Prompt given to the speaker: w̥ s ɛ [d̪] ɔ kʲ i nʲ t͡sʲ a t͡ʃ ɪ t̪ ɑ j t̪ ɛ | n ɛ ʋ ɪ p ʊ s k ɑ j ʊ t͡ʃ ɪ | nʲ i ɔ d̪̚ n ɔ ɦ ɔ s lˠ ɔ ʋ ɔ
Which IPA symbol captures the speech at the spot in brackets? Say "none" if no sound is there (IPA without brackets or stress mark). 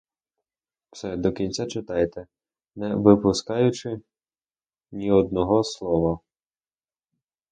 d̪